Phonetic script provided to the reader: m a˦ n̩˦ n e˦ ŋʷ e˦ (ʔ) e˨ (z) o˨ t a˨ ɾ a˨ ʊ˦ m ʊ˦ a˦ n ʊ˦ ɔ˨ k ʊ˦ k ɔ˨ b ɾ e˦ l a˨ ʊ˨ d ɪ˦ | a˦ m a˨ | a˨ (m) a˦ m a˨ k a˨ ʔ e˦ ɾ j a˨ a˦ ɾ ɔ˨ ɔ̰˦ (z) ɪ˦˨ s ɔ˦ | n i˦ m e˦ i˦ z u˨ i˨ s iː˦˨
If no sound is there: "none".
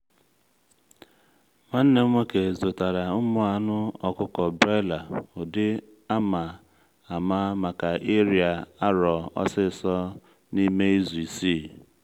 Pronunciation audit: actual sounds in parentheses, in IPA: k, z, m, s

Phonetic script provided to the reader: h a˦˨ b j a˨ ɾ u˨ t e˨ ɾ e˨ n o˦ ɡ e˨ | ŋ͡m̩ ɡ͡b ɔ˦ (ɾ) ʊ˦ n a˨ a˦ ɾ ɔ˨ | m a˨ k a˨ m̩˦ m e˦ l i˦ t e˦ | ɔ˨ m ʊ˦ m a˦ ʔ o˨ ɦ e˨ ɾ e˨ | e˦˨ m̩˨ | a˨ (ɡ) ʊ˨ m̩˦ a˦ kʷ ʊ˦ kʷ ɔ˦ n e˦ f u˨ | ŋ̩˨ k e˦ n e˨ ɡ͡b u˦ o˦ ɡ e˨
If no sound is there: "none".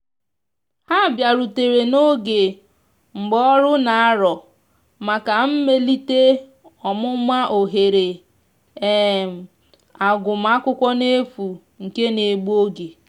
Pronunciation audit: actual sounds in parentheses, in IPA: ɾ, ɡ

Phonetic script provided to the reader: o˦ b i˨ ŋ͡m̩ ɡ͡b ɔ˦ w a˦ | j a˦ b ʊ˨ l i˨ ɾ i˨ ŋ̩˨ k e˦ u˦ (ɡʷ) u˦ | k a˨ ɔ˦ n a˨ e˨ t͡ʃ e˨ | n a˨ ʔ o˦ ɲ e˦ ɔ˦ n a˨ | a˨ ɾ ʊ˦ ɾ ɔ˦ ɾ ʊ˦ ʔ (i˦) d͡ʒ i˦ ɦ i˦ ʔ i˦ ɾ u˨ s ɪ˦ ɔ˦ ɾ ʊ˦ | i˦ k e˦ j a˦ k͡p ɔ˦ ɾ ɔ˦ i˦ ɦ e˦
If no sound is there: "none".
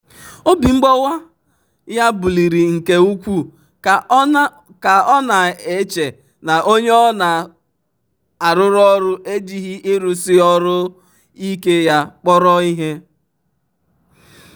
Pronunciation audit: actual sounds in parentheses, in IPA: kʷ, e˦

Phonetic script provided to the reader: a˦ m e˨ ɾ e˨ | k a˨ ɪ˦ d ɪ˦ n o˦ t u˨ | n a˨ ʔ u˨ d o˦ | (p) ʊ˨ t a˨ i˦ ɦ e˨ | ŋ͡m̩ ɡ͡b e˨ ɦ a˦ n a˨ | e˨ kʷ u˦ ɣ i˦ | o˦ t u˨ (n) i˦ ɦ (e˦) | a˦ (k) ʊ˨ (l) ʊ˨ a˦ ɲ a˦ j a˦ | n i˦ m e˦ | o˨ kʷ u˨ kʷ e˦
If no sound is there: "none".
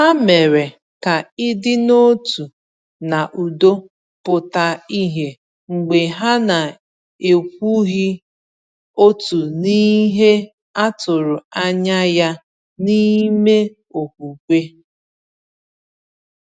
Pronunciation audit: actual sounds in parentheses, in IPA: p, n, e˦, t, ɾ

